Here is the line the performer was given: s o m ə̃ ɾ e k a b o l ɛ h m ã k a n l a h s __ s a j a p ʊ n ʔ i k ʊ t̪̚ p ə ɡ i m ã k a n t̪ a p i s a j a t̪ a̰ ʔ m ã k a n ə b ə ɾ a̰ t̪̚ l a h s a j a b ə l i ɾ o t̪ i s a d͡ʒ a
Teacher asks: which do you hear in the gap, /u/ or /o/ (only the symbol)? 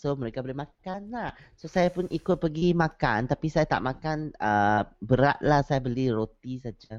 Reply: o